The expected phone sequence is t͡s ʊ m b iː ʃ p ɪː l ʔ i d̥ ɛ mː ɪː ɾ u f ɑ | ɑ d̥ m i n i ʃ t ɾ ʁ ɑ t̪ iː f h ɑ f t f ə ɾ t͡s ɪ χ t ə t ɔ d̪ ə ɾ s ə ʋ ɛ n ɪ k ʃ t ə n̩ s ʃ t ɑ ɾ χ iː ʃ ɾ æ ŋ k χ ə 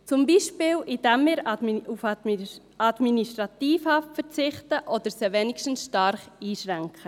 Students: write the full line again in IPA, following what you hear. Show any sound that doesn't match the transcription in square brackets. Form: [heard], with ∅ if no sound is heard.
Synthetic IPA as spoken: t͡s ʊ m b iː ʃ p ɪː l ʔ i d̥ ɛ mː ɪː ɾ u f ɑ | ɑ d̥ m i n i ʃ t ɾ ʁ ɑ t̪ iː f h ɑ f t f ə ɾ t͡s ɪ χ t ə [ʔ] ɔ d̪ ə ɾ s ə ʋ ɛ n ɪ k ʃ t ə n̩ s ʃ t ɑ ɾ χ iː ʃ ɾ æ ŋ k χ ə